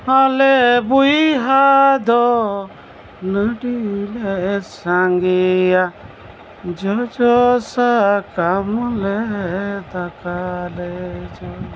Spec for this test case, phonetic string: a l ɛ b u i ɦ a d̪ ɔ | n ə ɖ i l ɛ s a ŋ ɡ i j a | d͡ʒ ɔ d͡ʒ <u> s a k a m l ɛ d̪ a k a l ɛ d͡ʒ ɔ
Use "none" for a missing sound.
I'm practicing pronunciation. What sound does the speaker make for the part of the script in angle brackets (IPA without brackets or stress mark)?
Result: ɔ